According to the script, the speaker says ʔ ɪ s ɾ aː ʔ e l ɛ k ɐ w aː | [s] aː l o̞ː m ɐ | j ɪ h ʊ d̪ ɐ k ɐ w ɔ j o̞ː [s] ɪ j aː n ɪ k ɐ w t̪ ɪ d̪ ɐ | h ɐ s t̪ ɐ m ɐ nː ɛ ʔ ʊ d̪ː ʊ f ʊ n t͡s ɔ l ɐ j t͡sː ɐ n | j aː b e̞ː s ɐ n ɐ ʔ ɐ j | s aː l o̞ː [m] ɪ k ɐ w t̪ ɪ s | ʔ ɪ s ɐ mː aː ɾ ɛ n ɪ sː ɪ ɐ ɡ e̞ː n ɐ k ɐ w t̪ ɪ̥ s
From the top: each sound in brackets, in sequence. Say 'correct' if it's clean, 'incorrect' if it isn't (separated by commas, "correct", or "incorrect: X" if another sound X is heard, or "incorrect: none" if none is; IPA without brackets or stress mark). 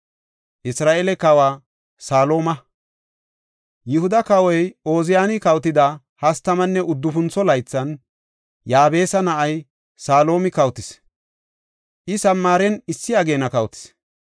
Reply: correct, incorrect: z, correct